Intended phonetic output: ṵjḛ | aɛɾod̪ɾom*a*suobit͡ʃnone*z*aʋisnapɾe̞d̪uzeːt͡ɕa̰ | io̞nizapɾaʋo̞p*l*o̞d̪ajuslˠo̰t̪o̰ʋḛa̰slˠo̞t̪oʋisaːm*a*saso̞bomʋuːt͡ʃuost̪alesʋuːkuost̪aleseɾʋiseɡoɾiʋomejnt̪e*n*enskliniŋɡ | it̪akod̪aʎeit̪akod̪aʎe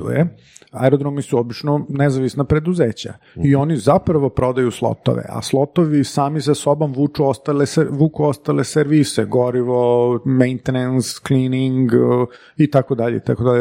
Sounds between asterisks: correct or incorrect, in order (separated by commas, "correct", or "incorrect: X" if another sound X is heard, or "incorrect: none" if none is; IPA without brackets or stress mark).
incorrect: i, correct, incorrect: ɾ, incorrect: i, correct